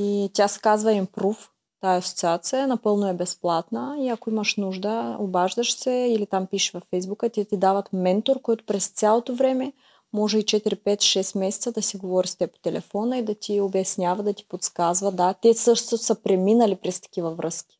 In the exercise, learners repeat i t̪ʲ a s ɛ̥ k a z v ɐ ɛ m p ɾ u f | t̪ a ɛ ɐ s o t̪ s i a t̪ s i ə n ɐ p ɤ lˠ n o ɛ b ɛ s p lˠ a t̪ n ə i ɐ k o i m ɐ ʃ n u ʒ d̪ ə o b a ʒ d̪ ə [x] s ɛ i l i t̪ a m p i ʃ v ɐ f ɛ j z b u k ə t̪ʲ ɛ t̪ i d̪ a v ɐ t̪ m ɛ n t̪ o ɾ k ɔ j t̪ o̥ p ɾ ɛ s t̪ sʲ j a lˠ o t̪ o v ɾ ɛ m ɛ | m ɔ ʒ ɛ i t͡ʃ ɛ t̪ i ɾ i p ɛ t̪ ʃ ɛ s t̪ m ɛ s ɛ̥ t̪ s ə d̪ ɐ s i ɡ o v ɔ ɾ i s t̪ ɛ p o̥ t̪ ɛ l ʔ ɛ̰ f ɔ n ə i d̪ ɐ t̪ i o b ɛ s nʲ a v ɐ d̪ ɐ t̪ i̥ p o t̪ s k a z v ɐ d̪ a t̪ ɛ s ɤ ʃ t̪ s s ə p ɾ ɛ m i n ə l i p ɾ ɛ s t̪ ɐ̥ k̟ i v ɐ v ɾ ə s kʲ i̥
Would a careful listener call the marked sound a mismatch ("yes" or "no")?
yes